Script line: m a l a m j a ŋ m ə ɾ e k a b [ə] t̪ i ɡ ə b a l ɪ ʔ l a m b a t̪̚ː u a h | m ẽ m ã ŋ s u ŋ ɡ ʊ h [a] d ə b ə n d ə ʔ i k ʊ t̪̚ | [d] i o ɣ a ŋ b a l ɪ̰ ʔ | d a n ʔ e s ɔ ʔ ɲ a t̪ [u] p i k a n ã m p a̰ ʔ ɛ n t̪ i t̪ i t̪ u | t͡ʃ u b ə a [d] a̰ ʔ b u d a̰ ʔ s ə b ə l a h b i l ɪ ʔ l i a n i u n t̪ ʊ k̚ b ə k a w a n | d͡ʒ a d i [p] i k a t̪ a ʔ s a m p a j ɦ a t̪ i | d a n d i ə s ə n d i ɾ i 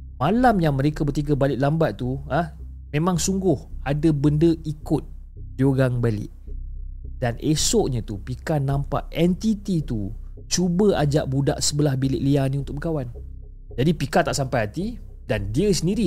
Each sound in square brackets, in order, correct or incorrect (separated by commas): correct, correct, correct, correct, incorrect, correct